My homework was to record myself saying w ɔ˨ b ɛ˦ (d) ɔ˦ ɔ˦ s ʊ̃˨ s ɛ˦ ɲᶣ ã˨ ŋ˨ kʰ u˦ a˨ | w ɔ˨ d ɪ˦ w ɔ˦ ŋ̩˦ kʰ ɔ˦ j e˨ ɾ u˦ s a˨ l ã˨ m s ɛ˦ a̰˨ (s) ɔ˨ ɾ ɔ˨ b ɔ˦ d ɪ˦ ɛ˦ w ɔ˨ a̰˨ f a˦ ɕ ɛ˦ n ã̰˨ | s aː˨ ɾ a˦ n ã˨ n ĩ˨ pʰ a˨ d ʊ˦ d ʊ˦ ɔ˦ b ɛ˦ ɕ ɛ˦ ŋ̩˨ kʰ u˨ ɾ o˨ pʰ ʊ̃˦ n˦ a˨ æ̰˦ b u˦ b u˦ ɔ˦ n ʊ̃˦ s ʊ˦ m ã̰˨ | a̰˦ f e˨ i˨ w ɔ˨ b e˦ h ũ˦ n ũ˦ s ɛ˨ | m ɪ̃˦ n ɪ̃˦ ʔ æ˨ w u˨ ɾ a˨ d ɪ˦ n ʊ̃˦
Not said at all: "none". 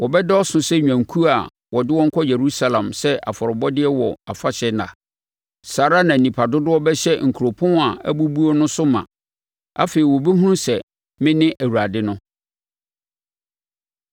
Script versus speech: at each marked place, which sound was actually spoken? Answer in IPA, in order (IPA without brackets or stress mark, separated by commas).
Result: d, f